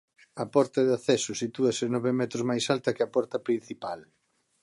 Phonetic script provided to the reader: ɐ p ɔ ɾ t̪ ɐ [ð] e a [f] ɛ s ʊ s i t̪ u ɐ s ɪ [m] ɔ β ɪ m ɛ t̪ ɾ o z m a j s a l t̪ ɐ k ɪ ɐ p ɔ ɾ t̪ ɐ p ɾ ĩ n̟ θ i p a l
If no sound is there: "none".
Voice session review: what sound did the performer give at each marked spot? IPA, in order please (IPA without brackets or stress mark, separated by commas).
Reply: ð, θ, n